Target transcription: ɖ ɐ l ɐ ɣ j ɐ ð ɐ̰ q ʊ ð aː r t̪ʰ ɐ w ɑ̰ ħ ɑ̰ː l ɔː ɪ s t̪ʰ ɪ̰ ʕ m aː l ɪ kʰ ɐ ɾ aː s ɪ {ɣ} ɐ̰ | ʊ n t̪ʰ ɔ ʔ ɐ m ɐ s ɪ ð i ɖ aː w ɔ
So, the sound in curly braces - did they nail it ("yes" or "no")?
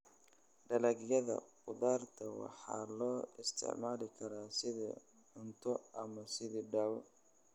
no